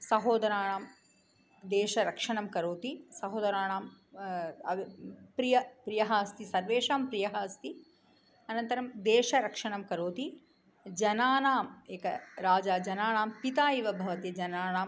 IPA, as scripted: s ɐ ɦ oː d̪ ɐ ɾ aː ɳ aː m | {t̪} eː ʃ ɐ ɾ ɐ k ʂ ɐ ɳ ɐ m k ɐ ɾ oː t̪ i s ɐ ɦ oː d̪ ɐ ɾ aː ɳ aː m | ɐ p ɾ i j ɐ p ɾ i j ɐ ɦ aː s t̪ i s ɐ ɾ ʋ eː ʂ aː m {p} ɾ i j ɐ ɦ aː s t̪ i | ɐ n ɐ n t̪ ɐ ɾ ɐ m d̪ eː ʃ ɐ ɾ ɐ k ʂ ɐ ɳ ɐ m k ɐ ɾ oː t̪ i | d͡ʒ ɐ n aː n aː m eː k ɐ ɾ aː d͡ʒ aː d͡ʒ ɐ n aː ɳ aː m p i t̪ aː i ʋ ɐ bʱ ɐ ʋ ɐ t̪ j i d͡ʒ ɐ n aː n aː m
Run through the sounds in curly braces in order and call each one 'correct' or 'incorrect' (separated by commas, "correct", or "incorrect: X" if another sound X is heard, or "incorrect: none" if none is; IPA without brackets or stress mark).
incorrect: d̪, correct